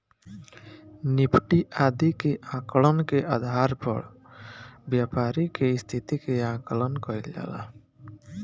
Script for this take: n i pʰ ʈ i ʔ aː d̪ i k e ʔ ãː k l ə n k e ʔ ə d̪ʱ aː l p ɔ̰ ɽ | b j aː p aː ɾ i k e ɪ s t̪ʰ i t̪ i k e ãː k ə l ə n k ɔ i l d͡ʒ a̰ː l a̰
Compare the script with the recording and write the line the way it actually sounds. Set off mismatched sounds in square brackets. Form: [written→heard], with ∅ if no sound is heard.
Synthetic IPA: n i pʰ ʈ i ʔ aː d̪ i k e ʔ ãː k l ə n k e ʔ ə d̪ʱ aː [l→ɾ] p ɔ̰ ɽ | b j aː p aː ɾ i k e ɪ s t̪ʰ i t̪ i k e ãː k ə l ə n k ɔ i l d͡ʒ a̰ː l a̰